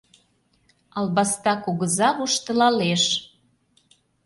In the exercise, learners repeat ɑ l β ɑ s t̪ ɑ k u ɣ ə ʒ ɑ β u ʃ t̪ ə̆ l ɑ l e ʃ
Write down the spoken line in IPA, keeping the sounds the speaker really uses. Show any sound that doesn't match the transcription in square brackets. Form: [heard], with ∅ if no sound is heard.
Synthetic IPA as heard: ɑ l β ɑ s t̪ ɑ k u ɣ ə [z] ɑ β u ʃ t̪ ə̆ l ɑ l e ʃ